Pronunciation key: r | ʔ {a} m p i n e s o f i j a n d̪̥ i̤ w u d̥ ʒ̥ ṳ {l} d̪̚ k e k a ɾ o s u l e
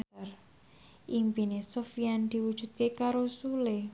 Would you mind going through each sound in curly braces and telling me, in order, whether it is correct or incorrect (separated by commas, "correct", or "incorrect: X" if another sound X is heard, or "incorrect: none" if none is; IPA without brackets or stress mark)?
incorrect: i, incorrect: none